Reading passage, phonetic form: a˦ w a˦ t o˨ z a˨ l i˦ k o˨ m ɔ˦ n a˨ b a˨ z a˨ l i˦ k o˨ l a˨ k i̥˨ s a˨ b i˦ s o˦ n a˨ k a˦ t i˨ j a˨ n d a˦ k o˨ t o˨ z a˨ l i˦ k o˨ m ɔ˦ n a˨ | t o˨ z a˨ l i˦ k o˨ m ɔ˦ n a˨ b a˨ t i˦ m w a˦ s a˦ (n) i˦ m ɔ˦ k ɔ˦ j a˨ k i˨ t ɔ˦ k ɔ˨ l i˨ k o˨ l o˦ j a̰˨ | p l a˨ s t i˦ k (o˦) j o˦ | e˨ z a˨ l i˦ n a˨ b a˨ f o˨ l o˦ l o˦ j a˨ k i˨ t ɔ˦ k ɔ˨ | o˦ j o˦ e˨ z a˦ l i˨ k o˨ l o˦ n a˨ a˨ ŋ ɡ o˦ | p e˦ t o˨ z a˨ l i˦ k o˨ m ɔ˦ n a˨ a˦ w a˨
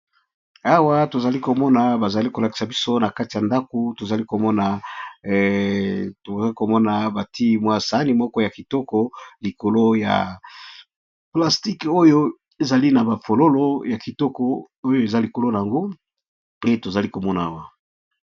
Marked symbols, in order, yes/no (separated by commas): yes, yes